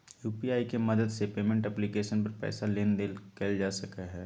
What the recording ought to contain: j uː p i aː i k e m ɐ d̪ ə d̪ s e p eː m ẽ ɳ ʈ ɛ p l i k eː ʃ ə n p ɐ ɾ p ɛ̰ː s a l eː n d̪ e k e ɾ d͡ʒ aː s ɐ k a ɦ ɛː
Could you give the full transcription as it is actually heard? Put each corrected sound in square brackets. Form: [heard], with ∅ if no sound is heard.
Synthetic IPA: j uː p i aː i k e m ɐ d̪ ə d̪ s e p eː m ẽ ɳ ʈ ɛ p l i k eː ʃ ə n p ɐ ɾ p ɛ̰ː s a l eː n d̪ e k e [l] d͡ʒ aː s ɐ k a ɦ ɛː